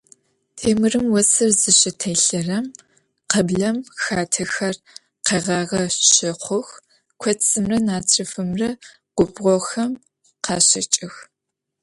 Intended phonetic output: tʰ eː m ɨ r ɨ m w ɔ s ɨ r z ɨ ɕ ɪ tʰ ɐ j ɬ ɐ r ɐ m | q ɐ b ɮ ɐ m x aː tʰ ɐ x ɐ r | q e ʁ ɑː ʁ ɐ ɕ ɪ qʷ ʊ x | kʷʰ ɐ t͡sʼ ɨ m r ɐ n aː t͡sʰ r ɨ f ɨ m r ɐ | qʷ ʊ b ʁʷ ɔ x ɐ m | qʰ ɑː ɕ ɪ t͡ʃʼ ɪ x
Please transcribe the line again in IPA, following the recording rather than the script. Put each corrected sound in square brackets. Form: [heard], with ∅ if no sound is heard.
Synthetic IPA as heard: tʰ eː m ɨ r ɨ m w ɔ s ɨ r z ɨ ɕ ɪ tʰ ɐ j ɬ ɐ r ɐ m | q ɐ b ɮ ɐ m x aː tʰ ɐ x ɐ r | q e ʁ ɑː ʁ ɐ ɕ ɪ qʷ ʊ x | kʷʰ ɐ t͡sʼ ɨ m r ɐ n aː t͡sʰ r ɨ f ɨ m r ɐ | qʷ ʊ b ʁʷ ɔ x ɐ m | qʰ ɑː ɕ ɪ t͡ʃʼ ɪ x